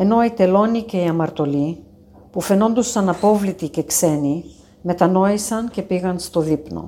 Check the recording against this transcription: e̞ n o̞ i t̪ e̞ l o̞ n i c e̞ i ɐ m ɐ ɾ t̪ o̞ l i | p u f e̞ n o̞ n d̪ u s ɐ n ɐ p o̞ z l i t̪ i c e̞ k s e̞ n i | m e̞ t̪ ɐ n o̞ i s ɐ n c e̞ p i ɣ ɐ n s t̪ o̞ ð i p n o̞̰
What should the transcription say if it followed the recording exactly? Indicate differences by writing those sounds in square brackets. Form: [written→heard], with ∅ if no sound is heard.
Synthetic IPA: e̞ n o̞ i t̪ e̞ l o̞ n i c e̞ i ɐ m ɐ ɾ t̪ o̞ l i | p u f e̞ n o̞ n d̪ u s ɐ n ɐ p o̞ [z→v] l i t̪ i c e̞ k s e̞ n i | m e̞ t̪ ɐ n o̞ i s ɐ n c e̞ p i ɣ ɐ n s t̪ o̞ ð i p n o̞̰